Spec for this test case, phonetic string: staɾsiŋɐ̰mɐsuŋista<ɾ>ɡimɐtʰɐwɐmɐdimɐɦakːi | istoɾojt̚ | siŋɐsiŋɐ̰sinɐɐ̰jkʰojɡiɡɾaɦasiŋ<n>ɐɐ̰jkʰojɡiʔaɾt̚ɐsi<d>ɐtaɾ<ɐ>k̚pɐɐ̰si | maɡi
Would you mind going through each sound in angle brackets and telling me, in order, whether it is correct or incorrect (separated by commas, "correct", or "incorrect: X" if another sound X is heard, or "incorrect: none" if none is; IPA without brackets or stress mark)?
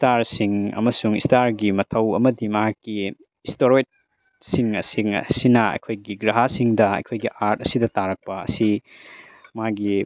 correct, incorrect: d, correct, correct